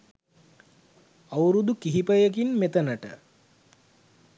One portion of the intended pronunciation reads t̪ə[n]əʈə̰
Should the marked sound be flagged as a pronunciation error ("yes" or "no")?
no